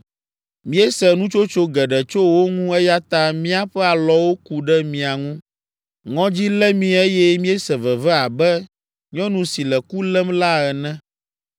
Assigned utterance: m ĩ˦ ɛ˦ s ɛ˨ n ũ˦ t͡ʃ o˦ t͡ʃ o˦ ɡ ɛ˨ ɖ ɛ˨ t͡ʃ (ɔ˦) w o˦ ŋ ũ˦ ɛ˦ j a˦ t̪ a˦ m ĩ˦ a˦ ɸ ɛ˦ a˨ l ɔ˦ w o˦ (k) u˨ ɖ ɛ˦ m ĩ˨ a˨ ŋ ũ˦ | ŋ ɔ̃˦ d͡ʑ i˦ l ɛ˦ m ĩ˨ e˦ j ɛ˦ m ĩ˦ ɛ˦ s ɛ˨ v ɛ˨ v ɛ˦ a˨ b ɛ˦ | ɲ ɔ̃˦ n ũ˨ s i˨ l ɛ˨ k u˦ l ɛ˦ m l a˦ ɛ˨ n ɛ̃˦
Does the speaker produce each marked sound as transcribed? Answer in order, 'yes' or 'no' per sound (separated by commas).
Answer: no, yes